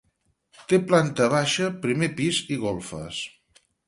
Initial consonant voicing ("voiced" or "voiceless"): voiceless